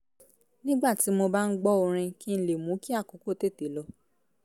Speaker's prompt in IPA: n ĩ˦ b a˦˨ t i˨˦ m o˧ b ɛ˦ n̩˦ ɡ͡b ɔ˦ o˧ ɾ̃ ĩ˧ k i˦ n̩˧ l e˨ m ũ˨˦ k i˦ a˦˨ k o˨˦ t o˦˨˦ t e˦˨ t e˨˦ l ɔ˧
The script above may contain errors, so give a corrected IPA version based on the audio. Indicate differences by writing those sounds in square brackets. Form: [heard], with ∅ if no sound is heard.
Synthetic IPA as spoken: n ĩ˦ [ɡ͡b] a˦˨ t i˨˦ m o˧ b [a˦] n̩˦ ɡ͡b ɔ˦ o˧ ɾ̃ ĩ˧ k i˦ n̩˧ l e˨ m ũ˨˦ k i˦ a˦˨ k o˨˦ [k] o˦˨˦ t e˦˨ t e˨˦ l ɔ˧